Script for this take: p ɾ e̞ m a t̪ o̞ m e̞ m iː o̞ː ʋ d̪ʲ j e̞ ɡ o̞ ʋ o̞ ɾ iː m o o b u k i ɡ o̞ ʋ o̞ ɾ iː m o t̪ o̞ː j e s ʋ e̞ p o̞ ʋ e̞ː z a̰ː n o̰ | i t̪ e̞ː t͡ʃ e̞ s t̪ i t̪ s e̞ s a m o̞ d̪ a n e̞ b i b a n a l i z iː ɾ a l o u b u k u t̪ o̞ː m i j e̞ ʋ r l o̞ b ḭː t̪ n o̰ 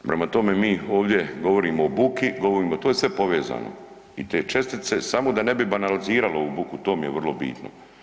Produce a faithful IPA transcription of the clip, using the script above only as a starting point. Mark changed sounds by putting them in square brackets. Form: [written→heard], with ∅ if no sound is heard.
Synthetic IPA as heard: p ɾ e̞ m a t̪ o̞ m e̞ m iː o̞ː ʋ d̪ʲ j e̞ ɡ o̞ ʋ o̞ ɾ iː m o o b u k i ɡ o̞ ʋ o̞ ɾ iː m o t̪ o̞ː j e s ʋ e̞ p o̞ ʋ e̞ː z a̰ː n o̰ | i t̪ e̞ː t͡ʃ e̞ s t̪ i t̪ s e̞ s a m o̞ d̪ a n e̞ b i b a n a l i z iː ɾ a l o u b u k u t̪ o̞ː m i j e̞ ʋ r l o̞ b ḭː t̪ n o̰